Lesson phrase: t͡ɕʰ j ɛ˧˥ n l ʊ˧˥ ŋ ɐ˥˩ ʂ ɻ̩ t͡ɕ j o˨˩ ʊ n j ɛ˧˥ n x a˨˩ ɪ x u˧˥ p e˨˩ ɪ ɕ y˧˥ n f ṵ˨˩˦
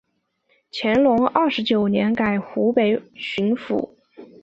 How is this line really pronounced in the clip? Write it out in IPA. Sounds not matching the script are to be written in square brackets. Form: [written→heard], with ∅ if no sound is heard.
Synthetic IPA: t͡ɕʰ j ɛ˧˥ n l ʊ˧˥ ŋ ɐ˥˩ ʂ ɻ̩ t͡ɕ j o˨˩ ʊ n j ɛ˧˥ n [x→k] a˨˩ ɪ x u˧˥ p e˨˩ ɪ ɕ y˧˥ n f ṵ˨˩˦